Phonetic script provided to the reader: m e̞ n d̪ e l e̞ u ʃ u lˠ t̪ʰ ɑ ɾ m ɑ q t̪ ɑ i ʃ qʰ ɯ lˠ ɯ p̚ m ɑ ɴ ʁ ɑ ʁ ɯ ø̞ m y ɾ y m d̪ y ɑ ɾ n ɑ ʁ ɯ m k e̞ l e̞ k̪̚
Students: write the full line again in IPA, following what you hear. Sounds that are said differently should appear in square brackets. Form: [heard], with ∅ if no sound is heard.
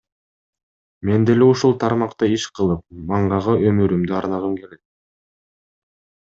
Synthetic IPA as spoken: m e̞ n d̪ e l e̞ u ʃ u lˠ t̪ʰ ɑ ɾ m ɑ q t̪ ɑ i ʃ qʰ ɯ lˠ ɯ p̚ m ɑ ɴ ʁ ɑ ʁ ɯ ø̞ m y ɾ y m d̪ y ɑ ɾ n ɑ ʁ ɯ m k e̞ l e̞ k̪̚